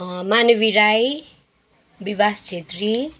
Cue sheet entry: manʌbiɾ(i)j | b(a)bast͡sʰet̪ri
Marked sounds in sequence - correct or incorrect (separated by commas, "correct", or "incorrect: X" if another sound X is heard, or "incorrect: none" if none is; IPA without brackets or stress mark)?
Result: incorrect: a, incorrect: i